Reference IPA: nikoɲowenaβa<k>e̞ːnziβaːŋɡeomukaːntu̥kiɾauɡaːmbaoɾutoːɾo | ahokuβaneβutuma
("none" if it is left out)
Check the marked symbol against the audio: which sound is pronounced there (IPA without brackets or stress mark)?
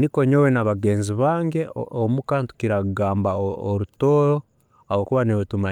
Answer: ɡ